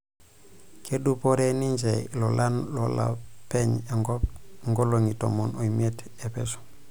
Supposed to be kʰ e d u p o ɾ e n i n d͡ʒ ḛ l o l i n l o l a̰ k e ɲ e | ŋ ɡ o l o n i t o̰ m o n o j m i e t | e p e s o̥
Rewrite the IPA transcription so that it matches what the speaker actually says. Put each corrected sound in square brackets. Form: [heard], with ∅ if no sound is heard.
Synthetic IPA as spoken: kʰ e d u p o ɾ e n i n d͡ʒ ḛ l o l [a] n l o l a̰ [p] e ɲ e | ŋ ɡ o l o [ŋ] i t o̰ m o n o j m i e t | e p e s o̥